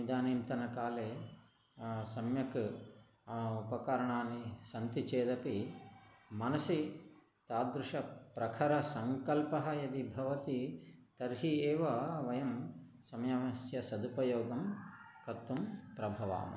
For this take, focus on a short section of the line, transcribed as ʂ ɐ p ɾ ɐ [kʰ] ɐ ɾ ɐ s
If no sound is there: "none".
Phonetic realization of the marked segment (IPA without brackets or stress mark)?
kʰ